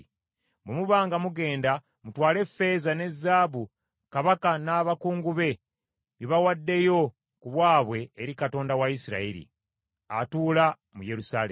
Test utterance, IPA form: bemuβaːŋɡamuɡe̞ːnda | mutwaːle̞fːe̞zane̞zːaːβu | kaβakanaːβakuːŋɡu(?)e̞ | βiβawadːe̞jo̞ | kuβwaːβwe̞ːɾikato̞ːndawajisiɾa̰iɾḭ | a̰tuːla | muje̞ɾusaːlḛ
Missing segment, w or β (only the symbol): β